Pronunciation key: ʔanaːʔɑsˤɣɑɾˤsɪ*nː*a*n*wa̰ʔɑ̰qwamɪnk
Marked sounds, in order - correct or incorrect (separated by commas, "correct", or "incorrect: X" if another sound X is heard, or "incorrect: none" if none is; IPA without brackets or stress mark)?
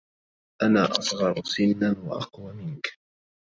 correct, correct